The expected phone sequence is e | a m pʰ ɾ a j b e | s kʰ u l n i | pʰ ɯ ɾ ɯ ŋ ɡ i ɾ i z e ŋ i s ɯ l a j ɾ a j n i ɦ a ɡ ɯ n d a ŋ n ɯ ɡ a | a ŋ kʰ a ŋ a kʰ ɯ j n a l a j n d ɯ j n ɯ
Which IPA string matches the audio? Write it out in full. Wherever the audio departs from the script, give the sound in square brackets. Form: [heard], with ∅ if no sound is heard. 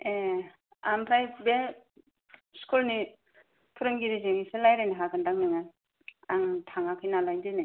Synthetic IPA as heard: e | a m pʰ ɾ a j b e | s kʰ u l n i | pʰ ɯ ɾ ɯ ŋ ɡ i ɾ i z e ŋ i s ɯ l a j ɾ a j n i ɦ a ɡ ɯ n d a ŋ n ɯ [ŋ] a | a ŋ [tʰ] a ŋ a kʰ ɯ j n a l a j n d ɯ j n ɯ